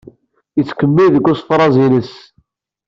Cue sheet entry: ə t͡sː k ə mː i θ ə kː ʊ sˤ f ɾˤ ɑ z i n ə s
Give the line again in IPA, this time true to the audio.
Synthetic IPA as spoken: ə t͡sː k ə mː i ð ə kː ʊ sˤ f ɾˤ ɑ z i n ə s